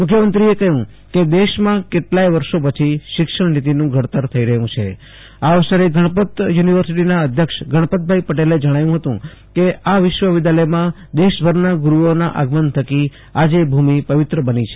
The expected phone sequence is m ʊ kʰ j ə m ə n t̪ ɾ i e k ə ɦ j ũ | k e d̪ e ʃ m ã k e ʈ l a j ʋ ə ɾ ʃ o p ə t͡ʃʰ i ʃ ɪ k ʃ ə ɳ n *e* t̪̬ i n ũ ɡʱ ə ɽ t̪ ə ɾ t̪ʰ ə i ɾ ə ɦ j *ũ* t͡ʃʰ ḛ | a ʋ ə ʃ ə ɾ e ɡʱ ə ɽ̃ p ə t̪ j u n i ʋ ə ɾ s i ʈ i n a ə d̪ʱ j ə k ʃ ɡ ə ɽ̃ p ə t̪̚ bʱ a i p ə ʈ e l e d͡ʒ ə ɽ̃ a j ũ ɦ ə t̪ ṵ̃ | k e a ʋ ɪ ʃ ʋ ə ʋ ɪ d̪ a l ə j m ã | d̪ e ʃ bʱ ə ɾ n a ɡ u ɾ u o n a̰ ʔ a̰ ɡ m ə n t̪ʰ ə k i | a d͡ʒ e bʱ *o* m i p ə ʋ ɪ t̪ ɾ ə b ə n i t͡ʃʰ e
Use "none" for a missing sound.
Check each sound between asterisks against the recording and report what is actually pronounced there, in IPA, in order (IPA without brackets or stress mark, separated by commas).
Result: i, ũ, u